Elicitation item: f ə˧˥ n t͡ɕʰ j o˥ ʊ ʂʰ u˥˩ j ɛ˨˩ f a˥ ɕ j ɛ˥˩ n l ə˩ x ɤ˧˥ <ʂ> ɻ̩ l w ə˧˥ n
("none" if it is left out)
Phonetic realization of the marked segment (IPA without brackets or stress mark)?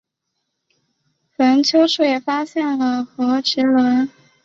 ʈ͡ʂ